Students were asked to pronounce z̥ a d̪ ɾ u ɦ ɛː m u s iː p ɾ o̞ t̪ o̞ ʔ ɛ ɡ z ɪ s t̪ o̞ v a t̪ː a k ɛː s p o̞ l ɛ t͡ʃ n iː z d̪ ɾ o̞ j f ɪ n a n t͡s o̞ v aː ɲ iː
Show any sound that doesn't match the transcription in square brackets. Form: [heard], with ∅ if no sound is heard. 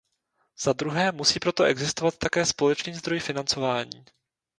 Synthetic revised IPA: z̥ a d̪ ɾ u ɦ ɛː m u s iː p ɾ o̞ t̪ o̞ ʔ ɛ ɡ z ɪ s t̪ o̞ v a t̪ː a k ɛː s p o̞ l ɛ t͡ʃ n iː z d̪ ɾ o̞ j f ɪ n a n t͡s o̞ v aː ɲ iː